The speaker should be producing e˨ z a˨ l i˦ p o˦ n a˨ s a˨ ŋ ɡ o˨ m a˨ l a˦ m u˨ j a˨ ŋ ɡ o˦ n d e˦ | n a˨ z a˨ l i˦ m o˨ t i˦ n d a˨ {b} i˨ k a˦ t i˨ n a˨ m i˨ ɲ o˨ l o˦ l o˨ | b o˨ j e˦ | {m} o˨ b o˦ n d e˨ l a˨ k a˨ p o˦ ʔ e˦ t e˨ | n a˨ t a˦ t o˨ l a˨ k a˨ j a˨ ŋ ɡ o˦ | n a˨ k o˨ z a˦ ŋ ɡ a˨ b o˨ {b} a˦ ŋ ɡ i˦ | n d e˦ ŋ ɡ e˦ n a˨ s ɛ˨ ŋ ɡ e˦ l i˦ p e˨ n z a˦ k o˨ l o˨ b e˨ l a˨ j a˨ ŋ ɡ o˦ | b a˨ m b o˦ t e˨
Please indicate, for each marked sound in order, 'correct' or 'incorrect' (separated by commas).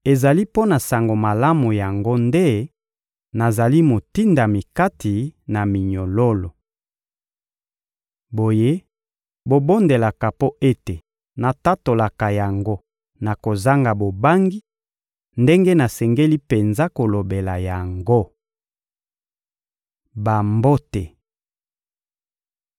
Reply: incorrect, incorrect, correct